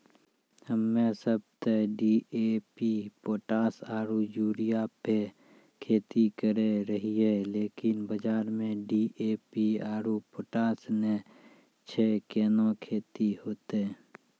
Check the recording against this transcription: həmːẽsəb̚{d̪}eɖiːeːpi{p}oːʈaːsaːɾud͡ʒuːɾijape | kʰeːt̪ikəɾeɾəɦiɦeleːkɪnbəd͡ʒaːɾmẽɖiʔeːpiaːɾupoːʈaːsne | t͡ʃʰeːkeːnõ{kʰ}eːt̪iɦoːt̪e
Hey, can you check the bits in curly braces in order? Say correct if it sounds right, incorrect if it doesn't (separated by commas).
incorrect, correct, correct